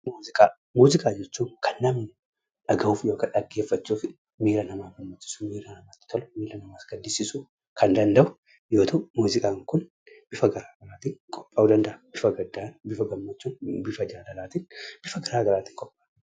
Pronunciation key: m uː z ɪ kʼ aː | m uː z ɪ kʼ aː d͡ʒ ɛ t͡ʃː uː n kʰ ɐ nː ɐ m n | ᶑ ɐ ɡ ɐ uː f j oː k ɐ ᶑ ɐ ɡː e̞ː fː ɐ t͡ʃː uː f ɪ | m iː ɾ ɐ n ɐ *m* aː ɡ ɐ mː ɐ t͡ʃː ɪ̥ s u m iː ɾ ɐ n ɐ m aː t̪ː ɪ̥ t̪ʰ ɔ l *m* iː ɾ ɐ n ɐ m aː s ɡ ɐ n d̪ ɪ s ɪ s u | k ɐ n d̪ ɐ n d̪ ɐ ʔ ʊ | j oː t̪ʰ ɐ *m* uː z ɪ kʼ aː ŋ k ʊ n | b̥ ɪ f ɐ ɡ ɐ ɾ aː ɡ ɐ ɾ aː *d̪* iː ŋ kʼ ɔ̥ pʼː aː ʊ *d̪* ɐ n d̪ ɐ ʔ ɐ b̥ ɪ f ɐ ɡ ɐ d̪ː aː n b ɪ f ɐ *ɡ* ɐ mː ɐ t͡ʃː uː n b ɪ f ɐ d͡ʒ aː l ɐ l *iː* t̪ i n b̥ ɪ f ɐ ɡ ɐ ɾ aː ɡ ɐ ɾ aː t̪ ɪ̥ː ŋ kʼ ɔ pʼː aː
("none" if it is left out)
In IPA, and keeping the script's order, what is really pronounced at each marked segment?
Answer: m, m, m, t̪, d̪, ɡ, aː

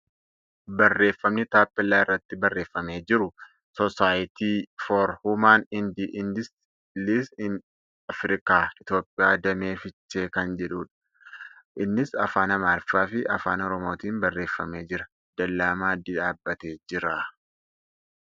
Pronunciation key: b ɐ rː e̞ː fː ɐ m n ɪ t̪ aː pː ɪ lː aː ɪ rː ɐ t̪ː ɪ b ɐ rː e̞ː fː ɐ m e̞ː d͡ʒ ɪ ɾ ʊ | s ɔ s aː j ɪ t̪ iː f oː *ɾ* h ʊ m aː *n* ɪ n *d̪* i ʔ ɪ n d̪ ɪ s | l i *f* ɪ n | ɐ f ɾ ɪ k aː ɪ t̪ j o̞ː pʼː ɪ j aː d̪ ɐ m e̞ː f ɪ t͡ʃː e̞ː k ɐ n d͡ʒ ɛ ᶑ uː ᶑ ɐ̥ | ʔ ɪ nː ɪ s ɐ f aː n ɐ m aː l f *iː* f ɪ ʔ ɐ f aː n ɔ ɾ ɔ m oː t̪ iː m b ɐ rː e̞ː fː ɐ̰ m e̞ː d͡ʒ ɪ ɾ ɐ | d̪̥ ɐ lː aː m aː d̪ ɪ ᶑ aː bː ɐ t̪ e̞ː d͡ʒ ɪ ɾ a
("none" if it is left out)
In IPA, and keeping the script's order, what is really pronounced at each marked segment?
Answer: ɾ, n, d̪, s, aː

